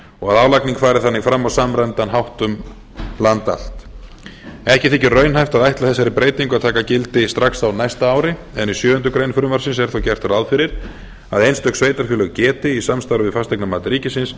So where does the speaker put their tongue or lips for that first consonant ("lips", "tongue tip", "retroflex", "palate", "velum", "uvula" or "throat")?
velum